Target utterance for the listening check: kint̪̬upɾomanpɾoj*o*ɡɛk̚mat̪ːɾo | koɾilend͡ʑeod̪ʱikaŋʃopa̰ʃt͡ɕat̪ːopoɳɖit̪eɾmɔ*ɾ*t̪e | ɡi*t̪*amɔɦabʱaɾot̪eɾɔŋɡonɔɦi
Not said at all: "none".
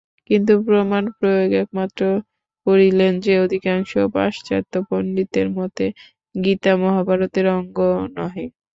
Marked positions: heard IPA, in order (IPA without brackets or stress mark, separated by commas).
o, none, t̪